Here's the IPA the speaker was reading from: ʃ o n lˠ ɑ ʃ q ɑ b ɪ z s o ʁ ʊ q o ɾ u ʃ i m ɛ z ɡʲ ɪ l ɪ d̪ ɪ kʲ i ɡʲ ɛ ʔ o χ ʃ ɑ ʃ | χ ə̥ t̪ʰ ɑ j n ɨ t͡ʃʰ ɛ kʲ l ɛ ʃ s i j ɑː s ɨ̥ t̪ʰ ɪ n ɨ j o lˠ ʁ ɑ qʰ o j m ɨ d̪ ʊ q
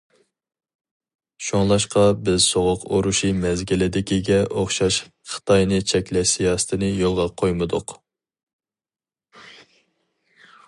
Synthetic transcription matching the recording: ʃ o ŋ lˠ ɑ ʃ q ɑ b ɪ z s o ʁ ʊ q o ɾ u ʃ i m ɛ z ɡʲ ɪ l ɪ d̪ ɪ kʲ i ɡʲ ɛ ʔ o χ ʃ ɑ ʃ | χ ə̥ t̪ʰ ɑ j n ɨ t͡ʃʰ ɛ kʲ l ɛ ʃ s i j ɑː s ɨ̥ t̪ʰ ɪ n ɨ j o lˠ ʁ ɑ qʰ o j m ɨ d̪ ʊ q